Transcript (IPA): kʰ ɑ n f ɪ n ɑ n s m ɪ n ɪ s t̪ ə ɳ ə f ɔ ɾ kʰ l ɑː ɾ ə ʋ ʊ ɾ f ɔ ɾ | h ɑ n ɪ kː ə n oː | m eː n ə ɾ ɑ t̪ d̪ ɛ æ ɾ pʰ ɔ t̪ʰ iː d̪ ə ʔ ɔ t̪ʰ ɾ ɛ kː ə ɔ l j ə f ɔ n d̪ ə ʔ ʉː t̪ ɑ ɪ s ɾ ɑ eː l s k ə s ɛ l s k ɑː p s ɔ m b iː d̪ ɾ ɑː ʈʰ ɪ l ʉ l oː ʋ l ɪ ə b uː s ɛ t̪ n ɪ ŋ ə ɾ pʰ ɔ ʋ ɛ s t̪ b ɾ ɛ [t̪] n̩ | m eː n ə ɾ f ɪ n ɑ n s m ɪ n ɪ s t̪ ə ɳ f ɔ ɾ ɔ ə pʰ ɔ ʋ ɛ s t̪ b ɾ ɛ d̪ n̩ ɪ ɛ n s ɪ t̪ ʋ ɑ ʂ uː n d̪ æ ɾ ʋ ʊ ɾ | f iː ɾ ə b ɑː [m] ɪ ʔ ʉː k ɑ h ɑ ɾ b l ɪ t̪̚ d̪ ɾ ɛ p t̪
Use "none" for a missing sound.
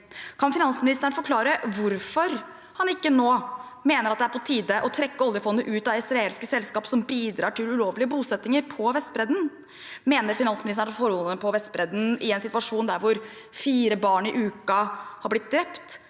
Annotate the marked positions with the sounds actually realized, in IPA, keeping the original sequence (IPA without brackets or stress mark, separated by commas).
d̪, ɳ